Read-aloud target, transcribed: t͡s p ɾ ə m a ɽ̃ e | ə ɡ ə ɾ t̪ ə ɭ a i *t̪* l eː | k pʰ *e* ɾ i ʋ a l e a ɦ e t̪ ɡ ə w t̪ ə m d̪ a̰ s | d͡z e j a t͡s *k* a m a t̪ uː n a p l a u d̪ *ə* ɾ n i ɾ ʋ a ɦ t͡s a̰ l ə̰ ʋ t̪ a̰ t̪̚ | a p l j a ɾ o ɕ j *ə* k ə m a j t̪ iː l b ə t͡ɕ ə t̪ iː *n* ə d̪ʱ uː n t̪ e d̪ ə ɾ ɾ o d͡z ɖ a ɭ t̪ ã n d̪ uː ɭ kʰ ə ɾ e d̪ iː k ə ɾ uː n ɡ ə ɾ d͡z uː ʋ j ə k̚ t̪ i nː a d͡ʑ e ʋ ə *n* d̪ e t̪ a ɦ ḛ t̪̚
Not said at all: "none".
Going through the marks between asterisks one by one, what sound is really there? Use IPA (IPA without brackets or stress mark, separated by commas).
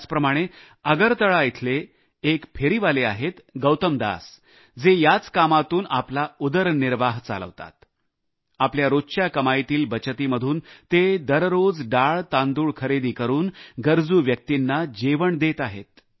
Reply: t̪ʰ, e, k, ə, a, m, ɳ